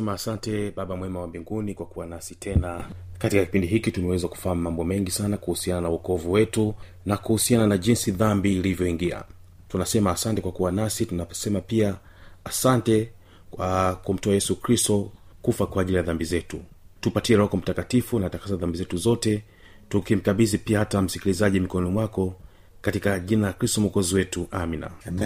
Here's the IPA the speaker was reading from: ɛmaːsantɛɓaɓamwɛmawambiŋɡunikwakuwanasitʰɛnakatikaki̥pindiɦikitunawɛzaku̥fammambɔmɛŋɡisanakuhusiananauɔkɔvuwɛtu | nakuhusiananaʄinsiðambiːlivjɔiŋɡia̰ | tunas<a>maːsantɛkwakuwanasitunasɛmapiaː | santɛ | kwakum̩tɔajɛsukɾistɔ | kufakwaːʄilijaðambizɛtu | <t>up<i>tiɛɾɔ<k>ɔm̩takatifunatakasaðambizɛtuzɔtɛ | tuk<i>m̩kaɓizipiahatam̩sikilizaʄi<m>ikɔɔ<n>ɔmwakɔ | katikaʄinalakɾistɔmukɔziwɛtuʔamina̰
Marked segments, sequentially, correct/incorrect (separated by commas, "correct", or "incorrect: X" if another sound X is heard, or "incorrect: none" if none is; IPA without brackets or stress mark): incorrect: ɛ, correct, incorrect: a, correct, correct, correct, correct